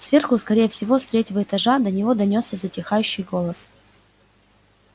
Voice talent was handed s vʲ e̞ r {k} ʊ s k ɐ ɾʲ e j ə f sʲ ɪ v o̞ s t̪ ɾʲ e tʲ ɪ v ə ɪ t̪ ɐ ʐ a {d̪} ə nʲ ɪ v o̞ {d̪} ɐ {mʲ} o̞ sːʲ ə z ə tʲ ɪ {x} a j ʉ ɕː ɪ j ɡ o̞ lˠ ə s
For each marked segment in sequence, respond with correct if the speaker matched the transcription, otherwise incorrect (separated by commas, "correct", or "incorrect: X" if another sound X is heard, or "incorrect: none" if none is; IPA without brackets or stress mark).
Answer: incorrect: x, correct, correct, incorrect: nʲ, correct